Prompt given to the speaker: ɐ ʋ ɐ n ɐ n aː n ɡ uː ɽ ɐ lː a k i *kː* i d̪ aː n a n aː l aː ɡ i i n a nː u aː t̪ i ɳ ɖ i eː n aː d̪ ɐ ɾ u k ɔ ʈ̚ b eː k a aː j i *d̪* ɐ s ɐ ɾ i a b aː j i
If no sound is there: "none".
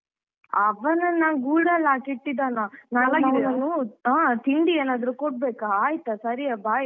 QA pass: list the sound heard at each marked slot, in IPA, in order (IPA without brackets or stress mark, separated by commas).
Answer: ʈː, t̪